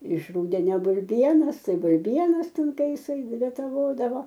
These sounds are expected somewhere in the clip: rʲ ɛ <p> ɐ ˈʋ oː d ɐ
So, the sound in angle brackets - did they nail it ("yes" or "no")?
no